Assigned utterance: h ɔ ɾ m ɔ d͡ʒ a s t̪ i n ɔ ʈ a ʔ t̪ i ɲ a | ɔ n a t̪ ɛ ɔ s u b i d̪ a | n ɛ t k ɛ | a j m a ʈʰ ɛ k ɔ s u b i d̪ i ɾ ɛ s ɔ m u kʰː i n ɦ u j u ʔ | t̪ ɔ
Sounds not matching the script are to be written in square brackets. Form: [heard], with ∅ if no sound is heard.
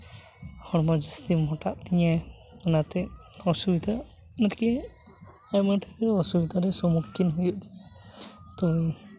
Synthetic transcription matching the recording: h ɔ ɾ m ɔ d͡ʒ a s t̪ i [m] ɔ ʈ a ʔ t̪ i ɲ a | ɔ n a t̪ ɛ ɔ s u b i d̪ a | n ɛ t k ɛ | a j m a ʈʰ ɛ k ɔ s u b i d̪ [a] ɾ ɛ s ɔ m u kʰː i n ɦ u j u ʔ | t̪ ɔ